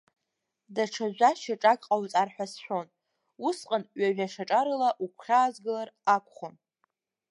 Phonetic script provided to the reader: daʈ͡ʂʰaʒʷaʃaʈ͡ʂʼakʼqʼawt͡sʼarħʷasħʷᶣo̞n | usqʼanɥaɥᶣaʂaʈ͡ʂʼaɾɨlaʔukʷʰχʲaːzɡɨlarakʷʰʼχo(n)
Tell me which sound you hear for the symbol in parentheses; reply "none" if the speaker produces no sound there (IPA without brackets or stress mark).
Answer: n